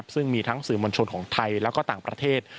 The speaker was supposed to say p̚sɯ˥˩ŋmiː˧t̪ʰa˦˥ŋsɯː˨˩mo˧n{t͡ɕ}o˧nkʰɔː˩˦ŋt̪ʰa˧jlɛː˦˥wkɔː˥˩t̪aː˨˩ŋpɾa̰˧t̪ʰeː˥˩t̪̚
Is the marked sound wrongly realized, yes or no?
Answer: yes